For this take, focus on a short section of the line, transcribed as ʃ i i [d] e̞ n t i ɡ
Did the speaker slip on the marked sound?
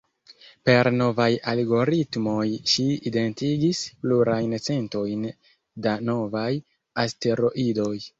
no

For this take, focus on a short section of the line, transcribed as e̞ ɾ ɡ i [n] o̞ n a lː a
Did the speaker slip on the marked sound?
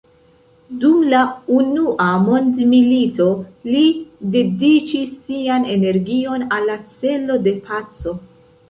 yes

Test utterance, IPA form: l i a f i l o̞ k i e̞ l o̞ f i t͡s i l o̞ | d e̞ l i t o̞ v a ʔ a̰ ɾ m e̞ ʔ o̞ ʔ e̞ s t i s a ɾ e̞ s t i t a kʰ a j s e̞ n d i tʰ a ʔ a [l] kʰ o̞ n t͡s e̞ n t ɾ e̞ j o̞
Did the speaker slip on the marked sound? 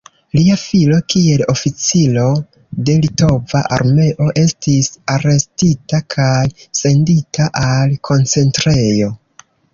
no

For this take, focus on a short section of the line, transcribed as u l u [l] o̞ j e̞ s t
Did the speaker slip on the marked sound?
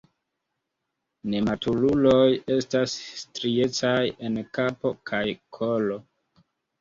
no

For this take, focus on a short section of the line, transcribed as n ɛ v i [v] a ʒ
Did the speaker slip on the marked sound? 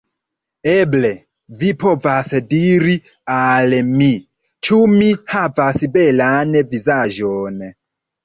yes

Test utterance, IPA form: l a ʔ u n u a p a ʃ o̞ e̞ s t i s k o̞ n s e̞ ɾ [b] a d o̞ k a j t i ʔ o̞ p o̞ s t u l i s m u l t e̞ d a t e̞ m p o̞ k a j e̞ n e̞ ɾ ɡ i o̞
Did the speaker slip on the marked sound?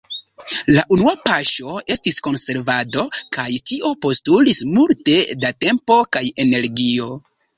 yes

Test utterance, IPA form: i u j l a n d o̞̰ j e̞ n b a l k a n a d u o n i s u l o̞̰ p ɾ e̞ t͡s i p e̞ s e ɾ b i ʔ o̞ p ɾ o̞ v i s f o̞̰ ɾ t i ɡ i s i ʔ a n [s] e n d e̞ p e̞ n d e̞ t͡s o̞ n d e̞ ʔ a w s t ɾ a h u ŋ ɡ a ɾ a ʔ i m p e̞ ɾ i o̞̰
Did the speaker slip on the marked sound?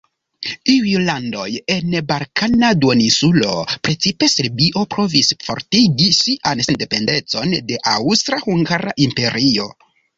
no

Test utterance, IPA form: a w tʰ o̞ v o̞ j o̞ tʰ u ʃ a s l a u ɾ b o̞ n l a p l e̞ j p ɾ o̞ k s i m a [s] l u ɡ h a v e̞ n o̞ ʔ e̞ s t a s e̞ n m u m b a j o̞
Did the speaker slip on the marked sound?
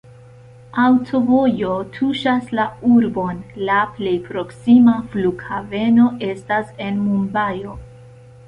yes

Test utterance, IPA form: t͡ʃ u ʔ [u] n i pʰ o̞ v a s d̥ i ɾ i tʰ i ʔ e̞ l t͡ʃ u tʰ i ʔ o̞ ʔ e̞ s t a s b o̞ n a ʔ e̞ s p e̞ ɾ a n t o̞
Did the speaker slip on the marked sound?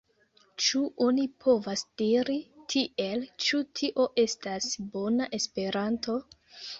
yes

